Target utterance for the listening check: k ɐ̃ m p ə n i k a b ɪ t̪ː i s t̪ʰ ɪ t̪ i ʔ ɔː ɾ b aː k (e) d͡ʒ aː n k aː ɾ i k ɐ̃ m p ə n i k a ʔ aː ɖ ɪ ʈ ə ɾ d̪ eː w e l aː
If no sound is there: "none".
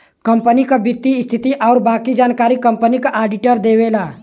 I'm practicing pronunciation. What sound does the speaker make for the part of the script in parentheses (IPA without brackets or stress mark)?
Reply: i